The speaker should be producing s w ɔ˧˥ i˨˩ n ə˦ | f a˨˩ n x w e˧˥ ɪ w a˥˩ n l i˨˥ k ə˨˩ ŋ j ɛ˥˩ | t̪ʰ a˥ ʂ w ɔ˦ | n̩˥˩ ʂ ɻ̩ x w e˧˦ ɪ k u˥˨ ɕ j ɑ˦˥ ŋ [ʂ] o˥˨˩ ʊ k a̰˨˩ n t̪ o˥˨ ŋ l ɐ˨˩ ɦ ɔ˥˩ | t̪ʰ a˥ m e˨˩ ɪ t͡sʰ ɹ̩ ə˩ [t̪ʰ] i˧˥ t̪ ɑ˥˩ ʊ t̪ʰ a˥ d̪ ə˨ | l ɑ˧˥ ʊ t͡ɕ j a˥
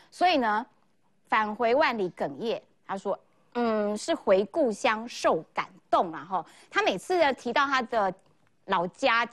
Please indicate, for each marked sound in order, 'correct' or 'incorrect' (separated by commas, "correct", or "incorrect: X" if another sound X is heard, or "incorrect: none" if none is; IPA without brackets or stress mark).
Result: correct, correct